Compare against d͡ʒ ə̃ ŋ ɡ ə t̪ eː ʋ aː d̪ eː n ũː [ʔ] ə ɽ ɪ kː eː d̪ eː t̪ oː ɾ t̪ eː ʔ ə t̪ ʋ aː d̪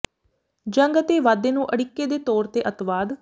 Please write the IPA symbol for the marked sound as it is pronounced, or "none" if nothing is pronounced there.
ʔ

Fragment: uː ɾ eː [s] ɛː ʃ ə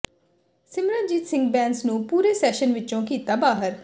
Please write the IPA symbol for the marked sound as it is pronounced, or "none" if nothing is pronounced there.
s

